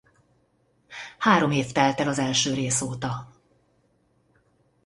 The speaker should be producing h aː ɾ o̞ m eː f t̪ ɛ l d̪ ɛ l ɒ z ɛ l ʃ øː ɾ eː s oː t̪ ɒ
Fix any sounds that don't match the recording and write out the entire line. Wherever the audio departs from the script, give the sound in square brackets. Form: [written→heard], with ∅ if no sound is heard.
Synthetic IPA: h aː ɾ o̞ m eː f t̪ ɛ l [d̪→t̪] ɛ l ɒ z ɛ l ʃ øː ɾ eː s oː t̪ ɒ